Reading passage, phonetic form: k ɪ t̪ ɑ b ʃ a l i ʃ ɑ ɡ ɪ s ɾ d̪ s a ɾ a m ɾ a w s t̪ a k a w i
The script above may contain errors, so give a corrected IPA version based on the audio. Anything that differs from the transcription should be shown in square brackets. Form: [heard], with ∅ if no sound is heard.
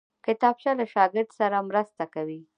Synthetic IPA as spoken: k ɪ t̪ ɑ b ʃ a l [a] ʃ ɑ ɡ ɪ [∅] ɾ d̪ s a ɾ a m ɾ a [∅] s t̪ a k a w i